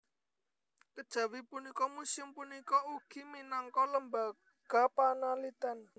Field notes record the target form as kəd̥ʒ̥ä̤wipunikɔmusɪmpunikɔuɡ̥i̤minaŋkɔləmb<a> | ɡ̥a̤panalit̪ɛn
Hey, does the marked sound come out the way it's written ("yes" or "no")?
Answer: yes